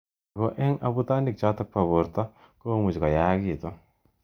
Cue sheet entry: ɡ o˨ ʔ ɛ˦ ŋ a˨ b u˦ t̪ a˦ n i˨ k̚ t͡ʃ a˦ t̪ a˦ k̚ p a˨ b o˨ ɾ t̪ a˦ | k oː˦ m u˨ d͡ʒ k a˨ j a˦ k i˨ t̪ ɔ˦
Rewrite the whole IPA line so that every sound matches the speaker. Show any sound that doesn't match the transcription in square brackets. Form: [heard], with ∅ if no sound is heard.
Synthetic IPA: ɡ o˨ ʔ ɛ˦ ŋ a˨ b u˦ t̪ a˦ n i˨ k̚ t͡ʃ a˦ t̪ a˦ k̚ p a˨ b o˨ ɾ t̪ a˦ | k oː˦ m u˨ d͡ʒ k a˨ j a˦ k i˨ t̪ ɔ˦